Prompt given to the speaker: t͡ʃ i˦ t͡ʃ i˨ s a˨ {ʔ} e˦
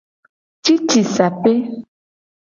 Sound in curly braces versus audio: incorrect: p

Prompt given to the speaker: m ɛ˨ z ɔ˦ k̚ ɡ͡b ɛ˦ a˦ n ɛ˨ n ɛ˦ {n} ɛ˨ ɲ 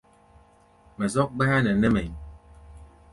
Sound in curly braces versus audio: incorrect: m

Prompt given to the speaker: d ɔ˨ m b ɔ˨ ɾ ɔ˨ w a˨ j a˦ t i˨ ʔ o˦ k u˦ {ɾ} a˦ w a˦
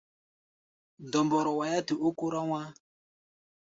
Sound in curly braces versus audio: correct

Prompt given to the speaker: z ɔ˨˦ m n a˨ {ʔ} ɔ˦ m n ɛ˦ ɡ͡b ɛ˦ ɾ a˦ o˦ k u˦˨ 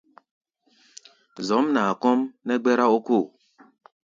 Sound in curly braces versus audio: incorrect: k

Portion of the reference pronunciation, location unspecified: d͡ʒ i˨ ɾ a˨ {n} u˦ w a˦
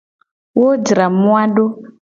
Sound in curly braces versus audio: incorrect: m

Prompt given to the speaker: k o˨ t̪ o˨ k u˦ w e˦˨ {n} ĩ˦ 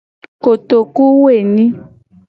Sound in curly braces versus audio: correct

